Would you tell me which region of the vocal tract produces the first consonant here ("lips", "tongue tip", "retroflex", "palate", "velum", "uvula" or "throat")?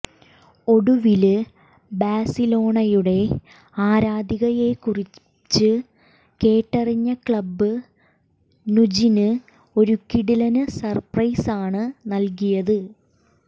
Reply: retroflex